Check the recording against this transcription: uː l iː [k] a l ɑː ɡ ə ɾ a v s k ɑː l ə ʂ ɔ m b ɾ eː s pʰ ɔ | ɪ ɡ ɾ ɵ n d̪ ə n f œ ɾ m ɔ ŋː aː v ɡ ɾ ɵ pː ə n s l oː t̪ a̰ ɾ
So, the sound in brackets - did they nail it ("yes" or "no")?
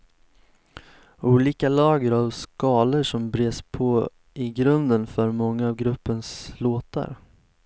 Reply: yes